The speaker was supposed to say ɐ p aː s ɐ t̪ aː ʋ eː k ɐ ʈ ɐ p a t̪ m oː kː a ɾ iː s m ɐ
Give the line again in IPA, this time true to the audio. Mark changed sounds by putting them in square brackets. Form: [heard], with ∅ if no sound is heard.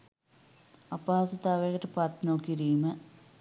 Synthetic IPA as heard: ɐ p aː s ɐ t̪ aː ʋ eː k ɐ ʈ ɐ p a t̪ [n] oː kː [i] ɾ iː [∅] m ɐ